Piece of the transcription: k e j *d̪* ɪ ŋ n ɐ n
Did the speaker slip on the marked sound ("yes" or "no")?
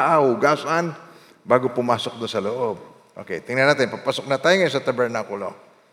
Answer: yes